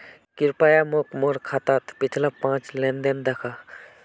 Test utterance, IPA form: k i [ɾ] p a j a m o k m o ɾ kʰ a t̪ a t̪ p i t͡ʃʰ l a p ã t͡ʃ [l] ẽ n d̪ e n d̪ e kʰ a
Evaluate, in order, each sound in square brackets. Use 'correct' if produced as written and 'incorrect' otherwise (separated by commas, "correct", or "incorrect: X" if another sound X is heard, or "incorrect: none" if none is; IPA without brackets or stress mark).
correct, correct